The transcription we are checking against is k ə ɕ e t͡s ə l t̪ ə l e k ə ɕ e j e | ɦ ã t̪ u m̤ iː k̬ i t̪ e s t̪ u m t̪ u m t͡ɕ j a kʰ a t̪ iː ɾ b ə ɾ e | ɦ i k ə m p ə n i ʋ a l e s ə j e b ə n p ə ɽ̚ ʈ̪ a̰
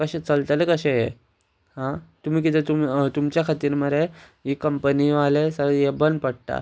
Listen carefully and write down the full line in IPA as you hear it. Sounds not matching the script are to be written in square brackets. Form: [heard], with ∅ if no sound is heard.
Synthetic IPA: k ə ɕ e t͡s ə l t̪ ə l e k ə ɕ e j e | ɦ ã t̪ u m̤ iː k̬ i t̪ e [∅] t̪ u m t̪ u m t͡ɕ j a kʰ a t̪ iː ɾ [m] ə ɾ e | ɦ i k ə m p ə n i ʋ a l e s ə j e b ə n p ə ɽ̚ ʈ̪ a̰

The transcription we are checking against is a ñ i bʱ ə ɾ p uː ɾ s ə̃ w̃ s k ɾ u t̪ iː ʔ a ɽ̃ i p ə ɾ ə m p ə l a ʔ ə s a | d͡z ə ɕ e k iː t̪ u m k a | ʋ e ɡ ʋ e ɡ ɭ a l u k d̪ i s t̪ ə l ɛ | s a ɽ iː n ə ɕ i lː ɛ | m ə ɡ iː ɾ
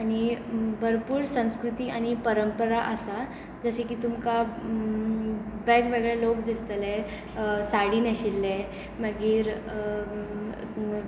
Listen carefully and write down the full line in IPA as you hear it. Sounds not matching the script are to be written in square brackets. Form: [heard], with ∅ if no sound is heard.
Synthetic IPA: a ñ i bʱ ə ɾ p uː ɾ s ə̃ w̃ s k ɾ u t̪ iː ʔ a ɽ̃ i p ə ɾ ə m p ə [ɾ] a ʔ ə s a | d͡z ə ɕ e k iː t̪ u m k a | ʋ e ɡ ʋ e ɡ ɭ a l [o] k d̪ i s t̪ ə l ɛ | s a ɽ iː n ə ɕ i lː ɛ | m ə ɡ iː ɾ

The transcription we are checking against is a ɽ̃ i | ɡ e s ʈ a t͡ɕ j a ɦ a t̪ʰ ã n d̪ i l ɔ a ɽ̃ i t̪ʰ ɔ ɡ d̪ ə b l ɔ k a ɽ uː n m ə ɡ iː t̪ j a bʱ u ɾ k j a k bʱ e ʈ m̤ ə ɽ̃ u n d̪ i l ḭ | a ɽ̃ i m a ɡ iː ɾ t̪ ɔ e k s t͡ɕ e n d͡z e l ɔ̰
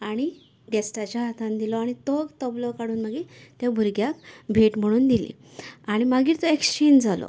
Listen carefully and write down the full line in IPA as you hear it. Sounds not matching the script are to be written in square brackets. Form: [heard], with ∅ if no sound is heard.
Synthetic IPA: a ɽ̃ i | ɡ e s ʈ a t͡ɕ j a ɦ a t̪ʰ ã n d̪ i l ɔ a ɽ̃ i [t̪] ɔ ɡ [t̪] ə b l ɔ k a ɽ uː n m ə ɡ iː t̪ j a bʱ u ɾ [ɡ] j a k bʱ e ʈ m̤ ə ɽ̃ [uː] n d̪ i l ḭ | a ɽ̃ i m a ɡ iː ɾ t̪ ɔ e k s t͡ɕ e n d͡z [a] l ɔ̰

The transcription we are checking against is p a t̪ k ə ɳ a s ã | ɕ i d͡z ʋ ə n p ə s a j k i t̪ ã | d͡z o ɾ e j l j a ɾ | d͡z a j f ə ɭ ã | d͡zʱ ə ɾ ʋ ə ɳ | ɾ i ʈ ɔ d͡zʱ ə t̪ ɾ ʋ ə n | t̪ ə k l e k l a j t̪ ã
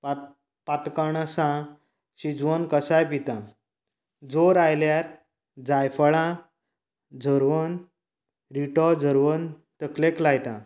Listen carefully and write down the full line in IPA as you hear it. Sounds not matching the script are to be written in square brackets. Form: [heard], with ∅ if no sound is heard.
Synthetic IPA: p a t̪ k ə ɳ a s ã | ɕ i d͡z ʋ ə n [k] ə s a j [p] i t̪ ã | d͡z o ɾ [a] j l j a ɾ | d͡z a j f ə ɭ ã | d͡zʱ ə ɾ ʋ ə [n] | ɾ i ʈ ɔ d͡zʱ ə [∅] ɾ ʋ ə n | t̪ ə k l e k l a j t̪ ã

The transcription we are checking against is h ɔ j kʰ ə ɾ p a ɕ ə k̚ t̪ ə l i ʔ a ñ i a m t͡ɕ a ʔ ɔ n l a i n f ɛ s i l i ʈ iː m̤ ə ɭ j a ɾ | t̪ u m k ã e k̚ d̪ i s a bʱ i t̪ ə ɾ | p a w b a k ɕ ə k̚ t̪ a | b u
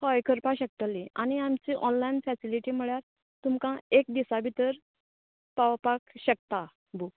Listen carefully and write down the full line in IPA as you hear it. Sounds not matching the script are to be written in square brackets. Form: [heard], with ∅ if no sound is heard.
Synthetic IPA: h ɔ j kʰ ə ɾ p a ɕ ə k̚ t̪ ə l i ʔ a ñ i a m t͡ɕ [i] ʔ ɔ n l a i n f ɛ s i l i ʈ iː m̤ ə ɭ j a ɾ | t̪ u m k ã e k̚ d̪ i s a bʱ i t̪ ə ɾ | p a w [p] a k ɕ ə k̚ t̪ a | b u

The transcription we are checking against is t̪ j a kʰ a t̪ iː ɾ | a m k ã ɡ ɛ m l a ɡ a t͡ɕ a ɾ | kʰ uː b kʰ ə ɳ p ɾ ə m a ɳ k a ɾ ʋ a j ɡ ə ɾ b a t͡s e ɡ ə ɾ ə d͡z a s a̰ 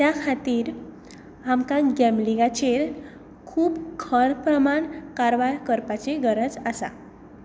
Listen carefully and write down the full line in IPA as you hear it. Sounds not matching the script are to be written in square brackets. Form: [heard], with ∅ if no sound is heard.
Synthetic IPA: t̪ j a kʰ a t̪ iː ɾ | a m k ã ɡ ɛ m l [i] ɡ a t͡ɕ [e] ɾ | kʰ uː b kʰ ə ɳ p ɾ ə m a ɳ k a ɾ ʋ a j [k] ə ɾ [p] a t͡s e ɡ ə ɾ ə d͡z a s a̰

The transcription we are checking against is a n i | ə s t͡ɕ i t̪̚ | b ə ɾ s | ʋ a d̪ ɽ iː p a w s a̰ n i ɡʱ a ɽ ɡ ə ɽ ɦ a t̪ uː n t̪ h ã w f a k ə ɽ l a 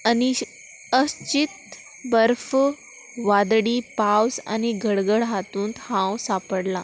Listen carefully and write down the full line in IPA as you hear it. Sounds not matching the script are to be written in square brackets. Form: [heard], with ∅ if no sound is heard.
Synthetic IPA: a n i | ə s t͡ɕ i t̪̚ | b ə ɾ [f] | ʋ a d̪ ɽ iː p a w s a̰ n i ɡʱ [ə] ɽ ɡ ə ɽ ɦ a t̪ uː n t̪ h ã w [s] a [p] ə ɽ l a

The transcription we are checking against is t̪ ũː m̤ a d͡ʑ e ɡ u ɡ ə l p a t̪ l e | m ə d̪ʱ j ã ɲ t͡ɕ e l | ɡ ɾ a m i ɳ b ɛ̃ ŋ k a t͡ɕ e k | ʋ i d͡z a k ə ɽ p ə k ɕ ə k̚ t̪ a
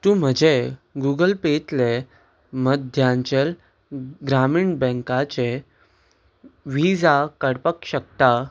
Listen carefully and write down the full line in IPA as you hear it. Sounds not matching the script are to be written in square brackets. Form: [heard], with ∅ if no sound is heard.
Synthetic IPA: t̪ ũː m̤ [ə] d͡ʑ e ɡ u ɡ ə l p [e] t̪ l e | m ə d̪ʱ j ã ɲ t͡ɕ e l | ɡ ɾ a m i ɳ b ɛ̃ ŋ k a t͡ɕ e [∅] | ʋ i d͡z a k ə ɽ p ə k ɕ ə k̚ t̪ a

